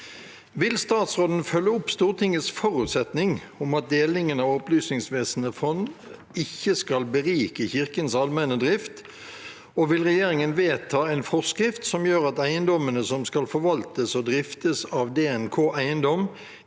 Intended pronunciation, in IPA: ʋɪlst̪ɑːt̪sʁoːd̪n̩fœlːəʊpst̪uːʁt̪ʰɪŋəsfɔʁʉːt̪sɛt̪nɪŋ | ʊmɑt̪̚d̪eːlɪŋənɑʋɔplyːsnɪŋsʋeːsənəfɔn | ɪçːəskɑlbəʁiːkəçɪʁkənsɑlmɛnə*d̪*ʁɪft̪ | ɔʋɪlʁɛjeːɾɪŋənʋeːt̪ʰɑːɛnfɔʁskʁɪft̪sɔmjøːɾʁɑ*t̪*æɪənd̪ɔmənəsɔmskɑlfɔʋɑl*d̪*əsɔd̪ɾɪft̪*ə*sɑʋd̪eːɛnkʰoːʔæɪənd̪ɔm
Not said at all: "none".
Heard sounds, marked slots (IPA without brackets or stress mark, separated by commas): d̪, t̪, t̪, ə